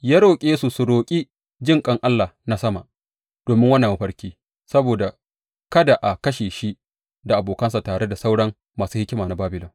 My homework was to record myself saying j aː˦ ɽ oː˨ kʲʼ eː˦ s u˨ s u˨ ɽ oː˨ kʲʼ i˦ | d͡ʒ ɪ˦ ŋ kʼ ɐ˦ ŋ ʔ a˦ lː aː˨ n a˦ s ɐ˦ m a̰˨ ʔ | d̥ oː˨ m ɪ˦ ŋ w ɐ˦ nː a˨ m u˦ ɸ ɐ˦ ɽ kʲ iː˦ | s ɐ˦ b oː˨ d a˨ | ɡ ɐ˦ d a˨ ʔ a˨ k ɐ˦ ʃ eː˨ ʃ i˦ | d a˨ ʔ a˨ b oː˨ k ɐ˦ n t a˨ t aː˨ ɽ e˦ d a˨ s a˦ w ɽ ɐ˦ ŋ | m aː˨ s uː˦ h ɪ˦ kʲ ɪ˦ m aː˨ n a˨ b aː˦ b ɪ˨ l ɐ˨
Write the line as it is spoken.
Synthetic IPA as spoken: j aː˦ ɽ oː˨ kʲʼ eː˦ s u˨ s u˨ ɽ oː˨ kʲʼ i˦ | d͡ʒ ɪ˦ ŋ kʼ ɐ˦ ŋ ʔ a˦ lː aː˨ n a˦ s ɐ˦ m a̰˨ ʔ | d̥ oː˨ m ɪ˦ ŋ w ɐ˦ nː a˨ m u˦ ɸ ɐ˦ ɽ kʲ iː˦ | s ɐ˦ b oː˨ d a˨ | k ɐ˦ d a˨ ʔ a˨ k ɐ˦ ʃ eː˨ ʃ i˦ | d a˨ ʔ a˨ b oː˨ k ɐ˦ n s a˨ t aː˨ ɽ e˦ d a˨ s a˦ w ɽ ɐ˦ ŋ | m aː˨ s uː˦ h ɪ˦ kʲ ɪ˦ m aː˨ n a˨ b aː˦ b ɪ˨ l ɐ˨